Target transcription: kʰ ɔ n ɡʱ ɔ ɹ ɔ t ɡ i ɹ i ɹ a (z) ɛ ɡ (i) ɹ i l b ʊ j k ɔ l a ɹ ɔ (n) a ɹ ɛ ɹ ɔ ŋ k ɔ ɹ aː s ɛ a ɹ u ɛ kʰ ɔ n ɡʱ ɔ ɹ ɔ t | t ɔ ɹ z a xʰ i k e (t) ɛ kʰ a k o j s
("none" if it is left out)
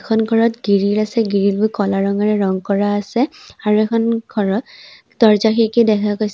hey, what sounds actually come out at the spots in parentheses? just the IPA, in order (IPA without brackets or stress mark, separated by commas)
s, i, ŋ, d